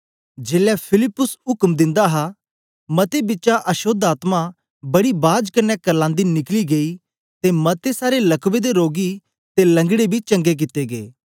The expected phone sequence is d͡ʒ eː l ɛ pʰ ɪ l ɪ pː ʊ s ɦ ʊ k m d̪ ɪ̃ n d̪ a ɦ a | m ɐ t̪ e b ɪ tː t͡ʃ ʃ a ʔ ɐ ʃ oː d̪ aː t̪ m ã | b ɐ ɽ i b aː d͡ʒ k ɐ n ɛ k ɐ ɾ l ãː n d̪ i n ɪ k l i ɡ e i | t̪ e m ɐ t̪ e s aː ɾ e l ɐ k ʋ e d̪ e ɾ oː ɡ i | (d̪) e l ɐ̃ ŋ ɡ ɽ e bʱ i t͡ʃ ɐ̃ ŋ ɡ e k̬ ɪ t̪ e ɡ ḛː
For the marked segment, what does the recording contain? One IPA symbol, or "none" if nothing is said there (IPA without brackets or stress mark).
t̪